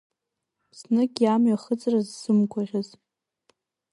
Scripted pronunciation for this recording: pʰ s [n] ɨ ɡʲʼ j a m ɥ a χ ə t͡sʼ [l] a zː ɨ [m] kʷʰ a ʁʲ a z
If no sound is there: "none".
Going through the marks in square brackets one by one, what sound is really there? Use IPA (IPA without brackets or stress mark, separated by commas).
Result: n, r, m